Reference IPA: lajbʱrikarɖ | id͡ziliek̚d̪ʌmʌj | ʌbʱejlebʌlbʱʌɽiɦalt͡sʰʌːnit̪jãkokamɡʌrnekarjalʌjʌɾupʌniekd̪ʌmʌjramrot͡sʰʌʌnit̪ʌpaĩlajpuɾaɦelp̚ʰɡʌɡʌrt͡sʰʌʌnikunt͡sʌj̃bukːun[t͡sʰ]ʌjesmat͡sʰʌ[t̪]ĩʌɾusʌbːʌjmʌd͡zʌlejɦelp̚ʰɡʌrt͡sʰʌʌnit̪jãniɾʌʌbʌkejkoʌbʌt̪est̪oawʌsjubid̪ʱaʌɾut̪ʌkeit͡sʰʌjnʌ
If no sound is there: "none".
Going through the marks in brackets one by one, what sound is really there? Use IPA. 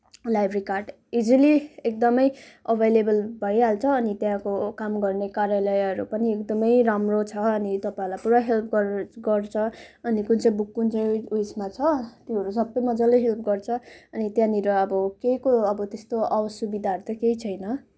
t͡s, t̪

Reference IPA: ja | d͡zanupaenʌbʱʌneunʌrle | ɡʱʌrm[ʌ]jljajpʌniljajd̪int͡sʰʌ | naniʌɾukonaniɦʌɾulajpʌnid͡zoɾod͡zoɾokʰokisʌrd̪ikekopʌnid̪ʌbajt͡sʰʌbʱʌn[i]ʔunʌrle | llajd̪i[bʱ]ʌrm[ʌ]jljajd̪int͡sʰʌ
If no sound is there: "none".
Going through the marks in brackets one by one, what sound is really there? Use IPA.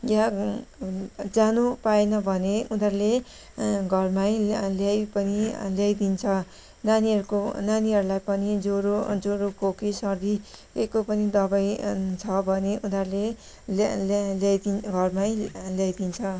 a, e, ɡʱ, a

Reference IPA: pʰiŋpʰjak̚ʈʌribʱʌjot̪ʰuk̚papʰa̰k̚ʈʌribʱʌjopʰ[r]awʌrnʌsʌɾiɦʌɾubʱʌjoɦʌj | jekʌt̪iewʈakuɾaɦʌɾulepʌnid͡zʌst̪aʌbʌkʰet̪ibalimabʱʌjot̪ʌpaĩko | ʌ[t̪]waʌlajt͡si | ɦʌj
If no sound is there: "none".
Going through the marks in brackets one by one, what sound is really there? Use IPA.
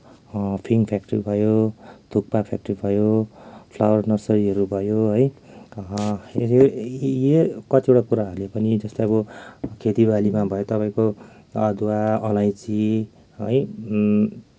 l, d̪

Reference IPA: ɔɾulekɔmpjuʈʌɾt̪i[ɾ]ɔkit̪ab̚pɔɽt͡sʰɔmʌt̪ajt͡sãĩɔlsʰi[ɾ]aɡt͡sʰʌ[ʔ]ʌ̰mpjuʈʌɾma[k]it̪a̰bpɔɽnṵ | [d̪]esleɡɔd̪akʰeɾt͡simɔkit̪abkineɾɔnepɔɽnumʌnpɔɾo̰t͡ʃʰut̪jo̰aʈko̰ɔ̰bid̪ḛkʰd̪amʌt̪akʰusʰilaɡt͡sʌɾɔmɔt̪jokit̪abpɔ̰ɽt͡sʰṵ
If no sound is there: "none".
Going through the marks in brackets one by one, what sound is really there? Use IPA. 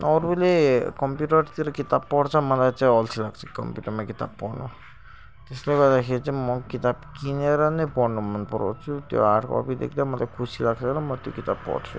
ɾ, l, k, k, t̪

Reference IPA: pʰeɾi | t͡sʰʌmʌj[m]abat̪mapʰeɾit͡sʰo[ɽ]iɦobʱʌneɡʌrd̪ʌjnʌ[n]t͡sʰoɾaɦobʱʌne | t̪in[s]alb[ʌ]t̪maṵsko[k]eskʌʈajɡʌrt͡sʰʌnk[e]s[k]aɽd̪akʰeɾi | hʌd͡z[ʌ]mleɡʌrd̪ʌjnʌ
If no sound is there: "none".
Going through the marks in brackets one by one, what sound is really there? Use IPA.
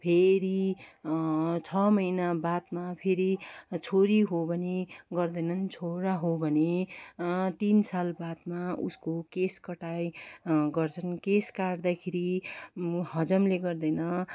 n, ɾ, n, s, a, k, e, k, ʌ

